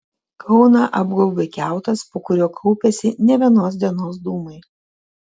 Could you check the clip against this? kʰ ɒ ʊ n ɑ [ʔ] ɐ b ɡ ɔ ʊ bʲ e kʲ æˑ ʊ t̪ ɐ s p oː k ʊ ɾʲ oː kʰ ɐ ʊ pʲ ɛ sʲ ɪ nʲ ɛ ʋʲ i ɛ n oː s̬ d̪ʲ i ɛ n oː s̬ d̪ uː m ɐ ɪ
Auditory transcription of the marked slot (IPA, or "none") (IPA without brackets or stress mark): ʔ